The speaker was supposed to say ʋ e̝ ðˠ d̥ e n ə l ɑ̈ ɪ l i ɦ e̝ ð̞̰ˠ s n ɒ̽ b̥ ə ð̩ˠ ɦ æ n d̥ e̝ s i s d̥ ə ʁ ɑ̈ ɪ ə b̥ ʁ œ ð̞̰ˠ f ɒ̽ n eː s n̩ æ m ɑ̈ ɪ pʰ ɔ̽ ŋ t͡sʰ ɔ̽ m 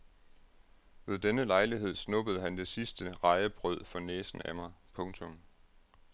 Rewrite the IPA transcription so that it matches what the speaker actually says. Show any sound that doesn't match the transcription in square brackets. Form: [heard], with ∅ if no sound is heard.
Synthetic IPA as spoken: ʋ e̝ ðˠ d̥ e n ə l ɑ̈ ɪ l i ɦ e̝ ð̞̰ˠ s n [ɔ̽] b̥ ə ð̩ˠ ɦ æ n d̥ e̝ s i s d̥ ə ʁ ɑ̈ ɪ ə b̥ ʁ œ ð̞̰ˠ f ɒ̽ n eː s n̩ æ m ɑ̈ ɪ pʰ ɔ̽ ŋ t͡sʰ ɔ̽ m